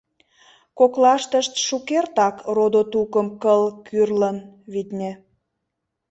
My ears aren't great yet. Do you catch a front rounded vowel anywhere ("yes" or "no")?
yes